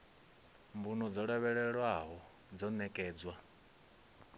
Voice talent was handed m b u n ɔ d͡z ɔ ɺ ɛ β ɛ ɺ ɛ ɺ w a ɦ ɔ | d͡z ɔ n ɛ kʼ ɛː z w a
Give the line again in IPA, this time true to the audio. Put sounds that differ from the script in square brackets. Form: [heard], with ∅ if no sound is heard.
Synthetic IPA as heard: m b u n ɔ d͡z ɔ ɺ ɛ β ɛ ɺ ɛ ɺ w a ɦ ɔ | d͡z ɔ n ɛ kʼ ɛː [d͡z] w a